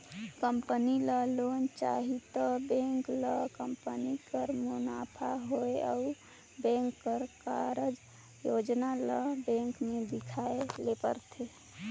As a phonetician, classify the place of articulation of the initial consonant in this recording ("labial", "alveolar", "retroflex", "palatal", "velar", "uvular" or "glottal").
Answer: velar